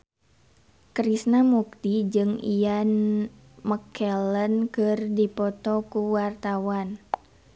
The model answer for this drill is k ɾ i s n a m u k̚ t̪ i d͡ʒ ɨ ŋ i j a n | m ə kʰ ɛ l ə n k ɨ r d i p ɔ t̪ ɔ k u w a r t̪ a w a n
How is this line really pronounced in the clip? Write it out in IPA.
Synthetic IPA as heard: k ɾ i s n a m u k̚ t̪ i d͡ʒ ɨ ŋ i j a n | m ə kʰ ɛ l ə n k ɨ r d i p ɔ t̪ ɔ k u w a r t̪ a w a n

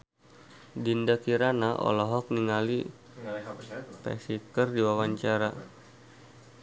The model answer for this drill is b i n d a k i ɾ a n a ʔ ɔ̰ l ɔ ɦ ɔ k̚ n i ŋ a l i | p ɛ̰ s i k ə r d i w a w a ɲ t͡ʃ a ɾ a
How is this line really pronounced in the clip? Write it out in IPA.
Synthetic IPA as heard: d i n d a k i ɾ a n a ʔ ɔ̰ l ɔ ɦ ɔ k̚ n i ŋ a l i | p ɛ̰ s i k ə r d i w a w a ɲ t͡ʃ a ɾ a

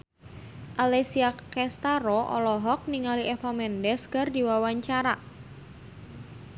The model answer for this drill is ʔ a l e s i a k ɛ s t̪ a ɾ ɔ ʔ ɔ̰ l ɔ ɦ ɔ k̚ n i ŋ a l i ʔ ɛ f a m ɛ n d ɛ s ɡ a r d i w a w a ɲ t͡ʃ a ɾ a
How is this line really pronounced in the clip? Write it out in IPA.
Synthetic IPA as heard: ʔ a l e s i a k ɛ s t̪ a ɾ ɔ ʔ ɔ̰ l ɔ ɦ ɔ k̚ n i ŋ a l i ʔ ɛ f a m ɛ n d ɛ s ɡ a r d i w a w a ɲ t͡ʃ a ɾ a

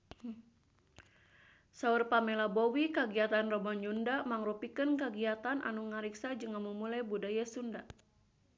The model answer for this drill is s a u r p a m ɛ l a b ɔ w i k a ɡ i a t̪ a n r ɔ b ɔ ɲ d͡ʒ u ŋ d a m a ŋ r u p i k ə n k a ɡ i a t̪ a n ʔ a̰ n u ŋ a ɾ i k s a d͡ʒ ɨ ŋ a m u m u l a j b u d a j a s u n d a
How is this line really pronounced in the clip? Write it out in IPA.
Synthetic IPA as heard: s a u r p a m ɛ l a b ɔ w i k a ɡ i a t̪ a n r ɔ b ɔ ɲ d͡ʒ u n d a m a ŋ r u p i k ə n k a ɡ i a t̪ a n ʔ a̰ n u ŋ a ɾ i k s a d͡ʒ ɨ ŋ a m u m u l a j b u d a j a s u n d a

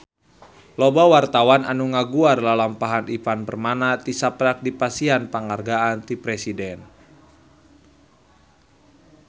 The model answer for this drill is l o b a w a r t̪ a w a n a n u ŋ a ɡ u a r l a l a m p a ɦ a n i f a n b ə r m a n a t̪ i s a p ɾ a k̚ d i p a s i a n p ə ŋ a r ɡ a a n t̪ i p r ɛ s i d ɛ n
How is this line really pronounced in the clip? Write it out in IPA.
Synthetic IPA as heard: l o b a w a r t̪ a w a n a n u ŋ a ɡ u a r l a l a m p a ɦ a n i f a n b ə r m a n a t̪ i s a p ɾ a k̚ d i p a s i a n p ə ŋ a r ɡ a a n t̪ i p ɾ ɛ s i d ɛ n

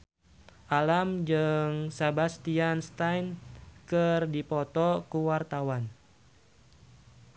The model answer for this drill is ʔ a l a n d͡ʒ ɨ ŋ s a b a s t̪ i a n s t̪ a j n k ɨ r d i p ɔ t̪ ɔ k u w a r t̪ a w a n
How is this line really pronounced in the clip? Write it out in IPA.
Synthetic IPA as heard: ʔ a l a m d͡ʒ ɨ ŋ s a b a s t̪ i a n s t̪ a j n k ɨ r d i p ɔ t̪ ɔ k u w a r t̪ a w a n

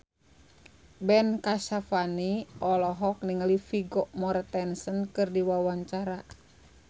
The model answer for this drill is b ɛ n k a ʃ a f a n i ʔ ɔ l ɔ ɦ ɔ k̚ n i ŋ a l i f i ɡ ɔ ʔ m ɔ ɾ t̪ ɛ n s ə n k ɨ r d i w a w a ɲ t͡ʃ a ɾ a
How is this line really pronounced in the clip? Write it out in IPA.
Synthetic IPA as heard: b ɛ n k a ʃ a f a n i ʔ ɔ l ɔ ɦ ɔ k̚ n i ŋ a l i f i ɡ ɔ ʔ m ɔ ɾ t̪ ɛ n s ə n k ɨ r d i w a w a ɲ t͡ʃ a ɾ a

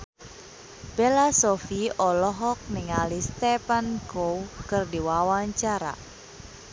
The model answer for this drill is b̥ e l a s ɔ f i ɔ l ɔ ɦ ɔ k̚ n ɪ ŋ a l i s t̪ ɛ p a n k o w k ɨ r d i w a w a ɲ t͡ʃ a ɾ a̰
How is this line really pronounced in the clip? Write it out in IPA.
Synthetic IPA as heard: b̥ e l a s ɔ f i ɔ l ɔ ɦ ɔ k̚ n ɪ ŋ a l i s t̪ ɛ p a n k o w k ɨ r d i w a w a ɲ t͡ʃ a ɾ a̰

